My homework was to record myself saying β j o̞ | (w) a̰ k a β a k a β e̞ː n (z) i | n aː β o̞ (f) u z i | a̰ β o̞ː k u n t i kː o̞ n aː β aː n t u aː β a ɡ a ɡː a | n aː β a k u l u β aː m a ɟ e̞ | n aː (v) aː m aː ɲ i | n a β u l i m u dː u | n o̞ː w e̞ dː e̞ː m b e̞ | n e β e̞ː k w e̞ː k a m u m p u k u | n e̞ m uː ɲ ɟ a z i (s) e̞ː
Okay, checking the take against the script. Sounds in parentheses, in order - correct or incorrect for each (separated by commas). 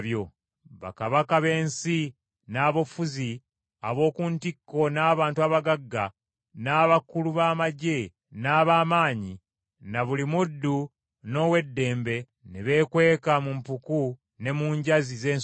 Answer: incorrect, incorrect, correct, incorrect, incorrect